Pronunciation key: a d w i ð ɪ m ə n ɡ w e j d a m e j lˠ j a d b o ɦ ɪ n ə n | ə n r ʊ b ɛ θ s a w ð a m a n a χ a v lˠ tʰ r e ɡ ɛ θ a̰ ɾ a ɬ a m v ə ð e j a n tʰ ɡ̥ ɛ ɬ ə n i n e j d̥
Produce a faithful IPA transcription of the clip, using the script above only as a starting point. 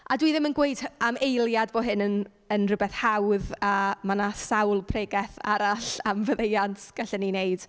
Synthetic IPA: a d w i ð ɪ m ə n ɡ w e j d a m e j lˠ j a d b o ɦ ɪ n ə n | ə n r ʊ b ɛ θ h a w ð a m a n a s a w lˠ pʰ r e ɡ ɛ θ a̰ ɾ a ɬ a m v ə ð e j a n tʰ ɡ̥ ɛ ɬ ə n i n e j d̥